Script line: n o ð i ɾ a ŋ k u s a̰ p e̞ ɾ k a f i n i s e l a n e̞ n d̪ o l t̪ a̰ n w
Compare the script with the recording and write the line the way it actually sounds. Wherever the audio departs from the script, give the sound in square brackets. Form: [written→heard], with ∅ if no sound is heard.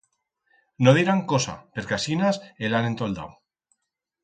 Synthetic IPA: n o ð i ɾ a ŋ k [u→o] s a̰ p e̞ ɾ k a [f→s] i n [i→a] s e l a n e̞ n [d̪→t̪] o l [t̪→d̪] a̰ [n→∅] w